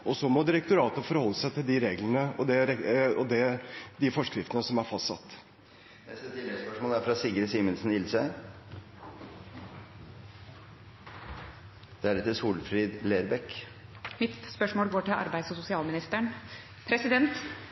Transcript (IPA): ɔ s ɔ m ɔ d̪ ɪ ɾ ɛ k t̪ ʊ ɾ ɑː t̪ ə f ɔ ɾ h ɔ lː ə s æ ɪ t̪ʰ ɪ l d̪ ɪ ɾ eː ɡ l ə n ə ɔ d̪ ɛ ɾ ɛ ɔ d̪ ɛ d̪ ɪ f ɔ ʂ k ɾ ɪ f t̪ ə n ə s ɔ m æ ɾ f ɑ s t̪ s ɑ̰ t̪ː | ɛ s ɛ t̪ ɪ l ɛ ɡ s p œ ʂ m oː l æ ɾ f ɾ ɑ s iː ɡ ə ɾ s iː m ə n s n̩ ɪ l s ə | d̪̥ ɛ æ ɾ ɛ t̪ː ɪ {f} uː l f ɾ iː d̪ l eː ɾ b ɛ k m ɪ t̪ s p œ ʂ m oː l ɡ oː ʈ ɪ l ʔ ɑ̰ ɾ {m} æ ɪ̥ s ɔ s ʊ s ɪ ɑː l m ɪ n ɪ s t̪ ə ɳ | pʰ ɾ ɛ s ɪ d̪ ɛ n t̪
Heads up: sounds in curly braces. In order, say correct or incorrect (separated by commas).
incorrect, incorrect